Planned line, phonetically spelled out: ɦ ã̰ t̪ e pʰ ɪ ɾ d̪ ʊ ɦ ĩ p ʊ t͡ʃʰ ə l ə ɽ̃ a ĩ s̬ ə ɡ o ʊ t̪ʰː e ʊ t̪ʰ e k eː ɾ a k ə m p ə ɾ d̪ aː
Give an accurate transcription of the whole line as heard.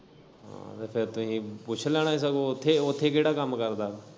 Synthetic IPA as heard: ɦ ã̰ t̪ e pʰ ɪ ɾ t̪ ʊ ɦ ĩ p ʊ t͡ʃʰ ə l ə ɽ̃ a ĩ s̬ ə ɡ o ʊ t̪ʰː e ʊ t̪ʰ e k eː ɽ a k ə m k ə ɾ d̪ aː